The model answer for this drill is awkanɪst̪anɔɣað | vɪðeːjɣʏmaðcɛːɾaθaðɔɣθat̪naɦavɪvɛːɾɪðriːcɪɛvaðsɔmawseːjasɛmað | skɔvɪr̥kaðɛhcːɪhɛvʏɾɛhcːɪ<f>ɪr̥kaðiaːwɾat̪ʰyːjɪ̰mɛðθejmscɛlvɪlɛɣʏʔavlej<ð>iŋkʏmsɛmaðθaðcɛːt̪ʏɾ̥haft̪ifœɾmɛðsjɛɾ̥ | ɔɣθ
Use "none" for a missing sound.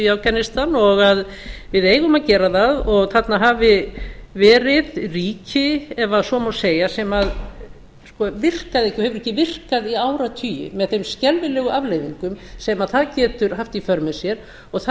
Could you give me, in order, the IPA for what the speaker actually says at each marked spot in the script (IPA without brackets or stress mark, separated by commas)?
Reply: v, v